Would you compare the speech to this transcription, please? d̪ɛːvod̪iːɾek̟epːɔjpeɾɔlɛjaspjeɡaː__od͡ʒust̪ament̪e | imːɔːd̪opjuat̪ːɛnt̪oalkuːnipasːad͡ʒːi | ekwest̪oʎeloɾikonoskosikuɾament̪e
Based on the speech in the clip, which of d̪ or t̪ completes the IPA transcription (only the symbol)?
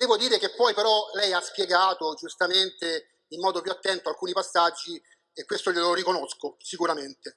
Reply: t̪